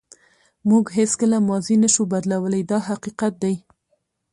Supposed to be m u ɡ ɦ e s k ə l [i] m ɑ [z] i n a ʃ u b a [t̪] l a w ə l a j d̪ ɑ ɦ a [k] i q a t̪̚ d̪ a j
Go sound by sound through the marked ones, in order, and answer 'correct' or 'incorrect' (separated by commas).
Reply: incorrect, correct, incorrect, incorrect